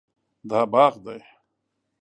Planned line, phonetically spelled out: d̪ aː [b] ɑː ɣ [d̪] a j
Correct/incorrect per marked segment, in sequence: correct, correct

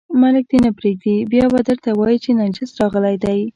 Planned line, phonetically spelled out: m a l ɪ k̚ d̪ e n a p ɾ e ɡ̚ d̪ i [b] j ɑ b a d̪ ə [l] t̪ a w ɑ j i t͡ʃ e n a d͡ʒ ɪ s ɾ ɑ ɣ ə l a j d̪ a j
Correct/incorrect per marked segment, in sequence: correct, incorrect: ɾ

